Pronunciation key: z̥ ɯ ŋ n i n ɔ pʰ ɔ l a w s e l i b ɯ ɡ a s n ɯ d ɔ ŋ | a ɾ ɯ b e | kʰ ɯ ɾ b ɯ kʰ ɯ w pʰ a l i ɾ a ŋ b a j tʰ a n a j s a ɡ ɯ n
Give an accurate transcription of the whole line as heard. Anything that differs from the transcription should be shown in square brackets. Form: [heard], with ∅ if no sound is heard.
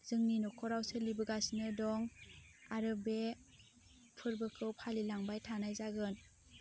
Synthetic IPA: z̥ ɯ ŋ n i n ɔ [kʰ] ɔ [ɾ] a w s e l i b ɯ ɡ a s n ɯ d ɔ ŋ | a ɾ ɯ b e | [pʰ] ɯ ɾ b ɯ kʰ ɯ w pʰ a l i [l] a ŋ b a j tʰ a n a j [z] a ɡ ɯ n